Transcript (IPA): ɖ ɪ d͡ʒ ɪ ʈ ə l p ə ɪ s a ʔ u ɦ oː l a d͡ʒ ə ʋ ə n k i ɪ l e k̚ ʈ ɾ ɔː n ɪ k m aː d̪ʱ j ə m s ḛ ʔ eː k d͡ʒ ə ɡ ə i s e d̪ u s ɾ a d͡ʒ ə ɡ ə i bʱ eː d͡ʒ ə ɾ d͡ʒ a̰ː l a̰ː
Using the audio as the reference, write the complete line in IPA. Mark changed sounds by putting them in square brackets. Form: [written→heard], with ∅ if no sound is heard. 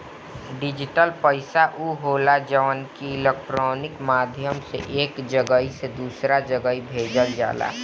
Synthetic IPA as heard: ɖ ɪ d͡ʒ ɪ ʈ ə l p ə ɪ s a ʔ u ɦ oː l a d͡ʒ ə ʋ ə n k i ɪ l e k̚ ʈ ɾ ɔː n ɪ k m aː d̪ʱ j ə m s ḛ ʔ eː k d͡ʒ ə ɡ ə i s e d̪ [u→uː] s ɾ a d͡ʒ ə ɡ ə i bʱ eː d͡ʒ ə [ɾ→l] d͡ʒ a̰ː l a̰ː